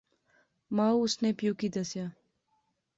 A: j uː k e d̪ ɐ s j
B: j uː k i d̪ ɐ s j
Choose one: B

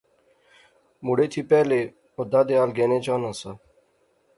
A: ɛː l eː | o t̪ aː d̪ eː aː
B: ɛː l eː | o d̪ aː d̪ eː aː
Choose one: B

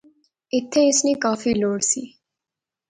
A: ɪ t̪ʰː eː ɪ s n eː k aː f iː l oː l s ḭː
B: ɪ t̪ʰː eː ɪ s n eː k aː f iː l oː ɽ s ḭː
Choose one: B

